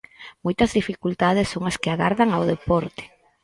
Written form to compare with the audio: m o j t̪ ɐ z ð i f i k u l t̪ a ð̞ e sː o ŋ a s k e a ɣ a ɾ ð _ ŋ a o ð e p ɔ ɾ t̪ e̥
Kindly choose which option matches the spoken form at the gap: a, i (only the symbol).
a